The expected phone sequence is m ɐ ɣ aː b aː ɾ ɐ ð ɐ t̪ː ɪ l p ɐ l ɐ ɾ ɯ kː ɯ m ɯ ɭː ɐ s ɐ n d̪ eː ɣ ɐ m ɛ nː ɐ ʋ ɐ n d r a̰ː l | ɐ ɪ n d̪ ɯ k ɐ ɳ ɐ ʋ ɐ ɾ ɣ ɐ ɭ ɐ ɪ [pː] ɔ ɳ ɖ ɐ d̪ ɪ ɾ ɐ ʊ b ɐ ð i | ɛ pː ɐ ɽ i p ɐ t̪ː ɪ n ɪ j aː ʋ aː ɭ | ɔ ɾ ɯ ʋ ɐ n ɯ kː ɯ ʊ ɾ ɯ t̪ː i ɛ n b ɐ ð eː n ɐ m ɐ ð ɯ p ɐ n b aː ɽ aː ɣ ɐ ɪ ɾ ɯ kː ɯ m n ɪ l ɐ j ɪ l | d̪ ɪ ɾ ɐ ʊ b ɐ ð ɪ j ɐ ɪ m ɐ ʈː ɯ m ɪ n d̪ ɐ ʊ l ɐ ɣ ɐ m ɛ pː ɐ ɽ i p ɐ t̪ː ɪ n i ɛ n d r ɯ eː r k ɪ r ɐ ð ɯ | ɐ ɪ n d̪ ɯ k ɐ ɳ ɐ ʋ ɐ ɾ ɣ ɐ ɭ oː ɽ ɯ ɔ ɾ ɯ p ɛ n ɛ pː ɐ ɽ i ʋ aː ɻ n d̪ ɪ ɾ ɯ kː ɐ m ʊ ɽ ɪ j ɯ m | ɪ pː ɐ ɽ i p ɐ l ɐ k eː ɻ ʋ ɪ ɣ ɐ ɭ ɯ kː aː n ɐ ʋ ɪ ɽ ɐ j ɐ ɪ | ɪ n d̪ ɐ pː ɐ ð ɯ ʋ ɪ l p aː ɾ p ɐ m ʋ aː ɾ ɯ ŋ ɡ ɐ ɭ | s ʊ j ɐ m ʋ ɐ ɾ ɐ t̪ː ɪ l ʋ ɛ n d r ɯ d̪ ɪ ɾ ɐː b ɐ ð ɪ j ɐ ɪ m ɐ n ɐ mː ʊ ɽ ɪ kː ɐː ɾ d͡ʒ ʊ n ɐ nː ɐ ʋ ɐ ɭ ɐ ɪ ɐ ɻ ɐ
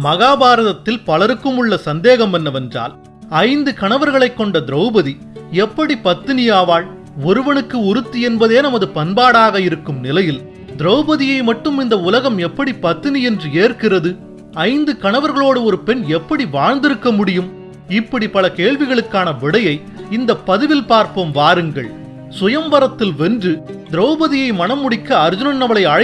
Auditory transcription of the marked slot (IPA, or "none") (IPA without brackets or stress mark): kː